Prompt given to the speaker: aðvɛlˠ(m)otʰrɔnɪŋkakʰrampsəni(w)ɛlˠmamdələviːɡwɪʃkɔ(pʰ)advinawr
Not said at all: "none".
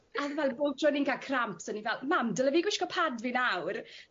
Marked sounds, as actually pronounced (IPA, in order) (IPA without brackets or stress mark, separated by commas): b, v, pʰ